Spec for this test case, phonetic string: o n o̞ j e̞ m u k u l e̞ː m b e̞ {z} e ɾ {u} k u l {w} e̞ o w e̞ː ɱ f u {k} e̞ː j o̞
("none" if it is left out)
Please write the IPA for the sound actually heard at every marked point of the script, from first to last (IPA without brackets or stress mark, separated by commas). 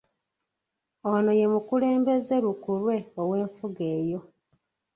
z, u, w, ɡ